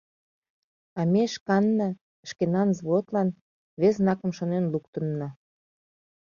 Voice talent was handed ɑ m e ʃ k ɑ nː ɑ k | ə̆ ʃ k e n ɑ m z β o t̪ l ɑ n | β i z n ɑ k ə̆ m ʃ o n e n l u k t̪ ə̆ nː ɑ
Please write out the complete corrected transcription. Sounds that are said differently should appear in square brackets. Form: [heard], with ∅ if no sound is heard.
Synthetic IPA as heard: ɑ m e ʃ k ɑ nː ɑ [∅] | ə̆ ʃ k e n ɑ [n] z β o t̪ l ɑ n | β [e] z n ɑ k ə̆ m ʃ o n e n l u k t̪ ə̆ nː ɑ